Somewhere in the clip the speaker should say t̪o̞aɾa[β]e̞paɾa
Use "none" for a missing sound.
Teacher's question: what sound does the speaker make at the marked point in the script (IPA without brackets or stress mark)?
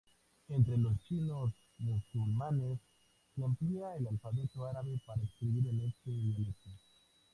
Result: β